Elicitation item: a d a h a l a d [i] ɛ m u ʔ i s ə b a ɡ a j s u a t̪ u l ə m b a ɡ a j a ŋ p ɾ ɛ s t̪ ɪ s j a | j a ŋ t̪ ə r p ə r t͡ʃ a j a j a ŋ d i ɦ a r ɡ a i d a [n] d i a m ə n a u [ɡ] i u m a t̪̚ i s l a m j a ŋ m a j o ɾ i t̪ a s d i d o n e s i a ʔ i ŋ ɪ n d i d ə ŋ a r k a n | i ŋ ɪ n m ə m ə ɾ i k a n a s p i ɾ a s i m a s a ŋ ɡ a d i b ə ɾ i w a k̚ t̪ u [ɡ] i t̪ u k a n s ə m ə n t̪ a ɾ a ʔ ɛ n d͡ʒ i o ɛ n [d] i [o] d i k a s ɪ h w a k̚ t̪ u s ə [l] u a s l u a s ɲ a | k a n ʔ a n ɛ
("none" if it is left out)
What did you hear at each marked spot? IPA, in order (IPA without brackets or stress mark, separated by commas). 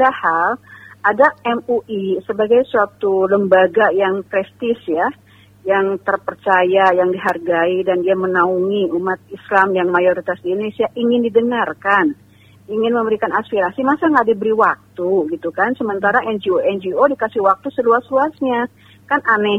a, n, ŋ, ɡ, d͡ʒ, o, l